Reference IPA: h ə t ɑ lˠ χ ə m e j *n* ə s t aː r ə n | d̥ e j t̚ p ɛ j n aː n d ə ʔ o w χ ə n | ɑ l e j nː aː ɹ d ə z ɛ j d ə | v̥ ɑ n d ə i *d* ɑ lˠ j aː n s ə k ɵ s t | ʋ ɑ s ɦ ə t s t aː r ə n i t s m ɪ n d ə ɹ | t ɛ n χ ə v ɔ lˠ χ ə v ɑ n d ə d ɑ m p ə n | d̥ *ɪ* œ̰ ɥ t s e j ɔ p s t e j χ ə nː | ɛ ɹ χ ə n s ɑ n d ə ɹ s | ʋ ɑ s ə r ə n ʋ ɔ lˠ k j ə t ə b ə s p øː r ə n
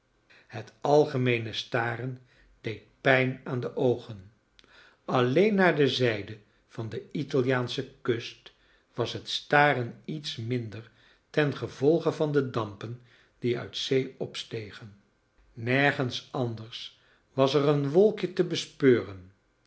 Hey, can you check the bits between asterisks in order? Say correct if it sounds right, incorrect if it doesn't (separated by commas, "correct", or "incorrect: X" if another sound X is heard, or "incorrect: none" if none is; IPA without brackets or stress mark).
correct, incorrect: t, incorrect: i